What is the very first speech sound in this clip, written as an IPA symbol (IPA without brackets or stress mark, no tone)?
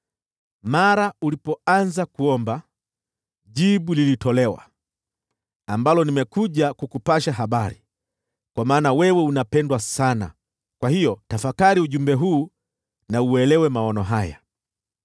m